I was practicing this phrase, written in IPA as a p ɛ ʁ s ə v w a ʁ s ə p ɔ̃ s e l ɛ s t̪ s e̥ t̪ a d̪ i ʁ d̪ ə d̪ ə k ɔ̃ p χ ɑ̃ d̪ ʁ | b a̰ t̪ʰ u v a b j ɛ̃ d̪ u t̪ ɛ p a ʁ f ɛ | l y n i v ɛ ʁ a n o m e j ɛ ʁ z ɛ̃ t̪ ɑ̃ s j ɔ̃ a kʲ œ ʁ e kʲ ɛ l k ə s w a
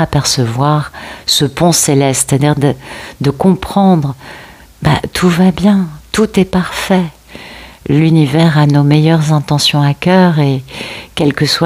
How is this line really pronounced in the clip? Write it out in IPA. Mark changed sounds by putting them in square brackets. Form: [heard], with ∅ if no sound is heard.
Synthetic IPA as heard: a p ɛ ʁ s ə v w a ʁ s ə p ɔ̃ s e l ɛ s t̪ s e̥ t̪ a d̪ i ʁ d̪ ə d̪ ə k ɔ̃ p χ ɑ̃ d̪ ʁ | b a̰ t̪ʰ u v a b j ɛ̃ [t̪] u t̪ ɛ p a ʁ f ɛ | l y n i v ɛ ʁ a n o m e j [œ] ʁ z ɛ̃ t̪ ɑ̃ s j ɔ̃ a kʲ œ ʁ e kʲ ɛ l k ə s w a